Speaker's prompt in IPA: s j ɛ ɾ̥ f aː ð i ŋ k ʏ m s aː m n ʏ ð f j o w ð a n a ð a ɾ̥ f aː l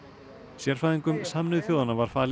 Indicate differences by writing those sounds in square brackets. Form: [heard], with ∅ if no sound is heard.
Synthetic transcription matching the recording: s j ɛ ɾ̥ f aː ð i ŋ k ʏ m s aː m n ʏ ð [θ] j o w ð a n a [v] a ɾ̥ f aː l